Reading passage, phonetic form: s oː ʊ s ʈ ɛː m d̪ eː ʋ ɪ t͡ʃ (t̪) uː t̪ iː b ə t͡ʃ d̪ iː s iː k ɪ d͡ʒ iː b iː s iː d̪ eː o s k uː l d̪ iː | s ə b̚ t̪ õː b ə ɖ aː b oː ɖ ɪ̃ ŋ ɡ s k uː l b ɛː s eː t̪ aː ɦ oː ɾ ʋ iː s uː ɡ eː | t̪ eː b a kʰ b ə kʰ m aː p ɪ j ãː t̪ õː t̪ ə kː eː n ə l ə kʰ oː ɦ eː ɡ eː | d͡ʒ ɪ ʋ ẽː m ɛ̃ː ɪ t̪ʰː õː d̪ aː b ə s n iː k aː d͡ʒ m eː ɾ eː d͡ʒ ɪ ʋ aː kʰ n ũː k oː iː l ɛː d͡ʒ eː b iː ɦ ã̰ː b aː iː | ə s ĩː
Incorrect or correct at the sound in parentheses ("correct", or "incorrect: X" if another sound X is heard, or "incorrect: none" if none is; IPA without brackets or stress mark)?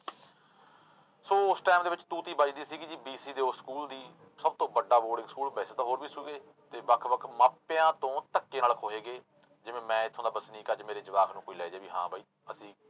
correct